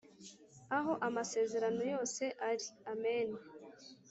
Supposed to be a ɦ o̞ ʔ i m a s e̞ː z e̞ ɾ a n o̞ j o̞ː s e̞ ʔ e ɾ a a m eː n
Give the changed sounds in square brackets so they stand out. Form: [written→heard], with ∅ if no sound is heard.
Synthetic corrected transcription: a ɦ o̞ ʔ [i→a] m a s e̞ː z e̞ ɾ a n o̞ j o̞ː s e̞ ʔ [e→a] ɾ [a→i] a m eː n